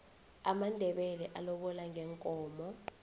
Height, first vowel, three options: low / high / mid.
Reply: low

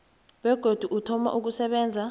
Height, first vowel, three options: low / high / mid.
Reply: mid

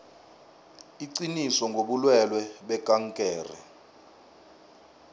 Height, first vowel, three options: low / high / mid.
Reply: high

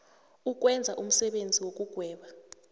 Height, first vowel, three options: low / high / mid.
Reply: high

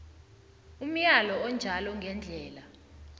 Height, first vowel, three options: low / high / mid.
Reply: high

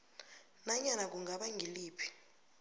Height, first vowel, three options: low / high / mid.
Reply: low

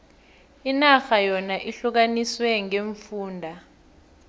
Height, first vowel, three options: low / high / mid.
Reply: high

